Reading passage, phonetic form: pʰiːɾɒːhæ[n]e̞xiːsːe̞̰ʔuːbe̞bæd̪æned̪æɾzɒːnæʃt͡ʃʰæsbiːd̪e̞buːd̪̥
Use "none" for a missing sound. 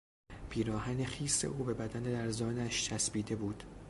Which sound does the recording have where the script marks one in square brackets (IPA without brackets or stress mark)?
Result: n